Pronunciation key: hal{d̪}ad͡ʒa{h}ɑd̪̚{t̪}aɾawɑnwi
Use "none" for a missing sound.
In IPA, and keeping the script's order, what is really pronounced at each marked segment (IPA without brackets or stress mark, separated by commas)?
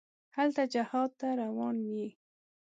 t̪, h, t̪